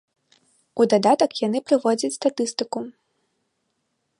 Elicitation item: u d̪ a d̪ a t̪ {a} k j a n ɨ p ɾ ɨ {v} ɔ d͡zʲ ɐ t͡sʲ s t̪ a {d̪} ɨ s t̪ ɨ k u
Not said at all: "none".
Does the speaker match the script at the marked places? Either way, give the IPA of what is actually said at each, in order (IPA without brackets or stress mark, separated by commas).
ɐ, v, t̪